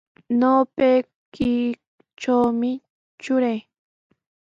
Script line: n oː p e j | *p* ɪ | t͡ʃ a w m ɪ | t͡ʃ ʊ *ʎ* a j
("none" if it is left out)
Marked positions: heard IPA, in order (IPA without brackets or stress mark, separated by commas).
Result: k, ɾ